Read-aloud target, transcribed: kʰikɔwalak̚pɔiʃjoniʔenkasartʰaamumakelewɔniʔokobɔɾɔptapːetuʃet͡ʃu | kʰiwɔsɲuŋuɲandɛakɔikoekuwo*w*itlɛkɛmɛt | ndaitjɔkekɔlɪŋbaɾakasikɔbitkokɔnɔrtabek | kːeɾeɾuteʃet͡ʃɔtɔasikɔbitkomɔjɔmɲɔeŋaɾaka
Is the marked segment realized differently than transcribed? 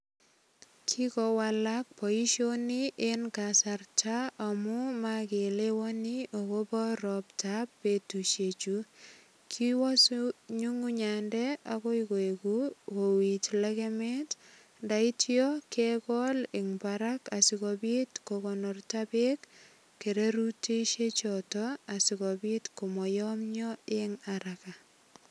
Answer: no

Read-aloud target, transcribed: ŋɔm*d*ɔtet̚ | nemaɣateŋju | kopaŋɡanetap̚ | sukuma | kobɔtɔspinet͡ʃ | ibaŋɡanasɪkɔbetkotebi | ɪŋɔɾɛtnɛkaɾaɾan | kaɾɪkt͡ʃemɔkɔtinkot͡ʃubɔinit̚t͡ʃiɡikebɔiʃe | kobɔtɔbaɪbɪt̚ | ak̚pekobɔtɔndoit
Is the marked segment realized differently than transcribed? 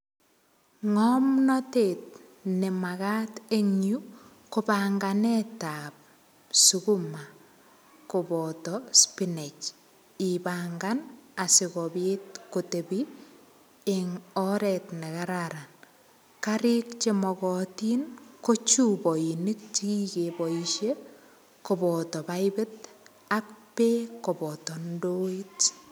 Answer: yes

